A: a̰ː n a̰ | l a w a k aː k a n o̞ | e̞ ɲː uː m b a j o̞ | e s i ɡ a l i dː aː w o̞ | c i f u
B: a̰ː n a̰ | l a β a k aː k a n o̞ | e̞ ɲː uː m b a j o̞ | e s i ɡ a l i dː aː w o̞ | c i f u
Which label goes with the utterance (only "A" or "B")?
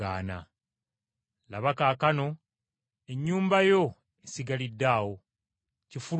B